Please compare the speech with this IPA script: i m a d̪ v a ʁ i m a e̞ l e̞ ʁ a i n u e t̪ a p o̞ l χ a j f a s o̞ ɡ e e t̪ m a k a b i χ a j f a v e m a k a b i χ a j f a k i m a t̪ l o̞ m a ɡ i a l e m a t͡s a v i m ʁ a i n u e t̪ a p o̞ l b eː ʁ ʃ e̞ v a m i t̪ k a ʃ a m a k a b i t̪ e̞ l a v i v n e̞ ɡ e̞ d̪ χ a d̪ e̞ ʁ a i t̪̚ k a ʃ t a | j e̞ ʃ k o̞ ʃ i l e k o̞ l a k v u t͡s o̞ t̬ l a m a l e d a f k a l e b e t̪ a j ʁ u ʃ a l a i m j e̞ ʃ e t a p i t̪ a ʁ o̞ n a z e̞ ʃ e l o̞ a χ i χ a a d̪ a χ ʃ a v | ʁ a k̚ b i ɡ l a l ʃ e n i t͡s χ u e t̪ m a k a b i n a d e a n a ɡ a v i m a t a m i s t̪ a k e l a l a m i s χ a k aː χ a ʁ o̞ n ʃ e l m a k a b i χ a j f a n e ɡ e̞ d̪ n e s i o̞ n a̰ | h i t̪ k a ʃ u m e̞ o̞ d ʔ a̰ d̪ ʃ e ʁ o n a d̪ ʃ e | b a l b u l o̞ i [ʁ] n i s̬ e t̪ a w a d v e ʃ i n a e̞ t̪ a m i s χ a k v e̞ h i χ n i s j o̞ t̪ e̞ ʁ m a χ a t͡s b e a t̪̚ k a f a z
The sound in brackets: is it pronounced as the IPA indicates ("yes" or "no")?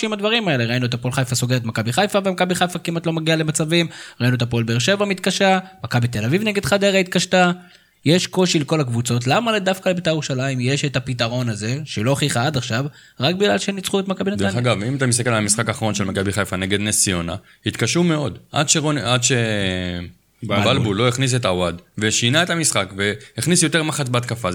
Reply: no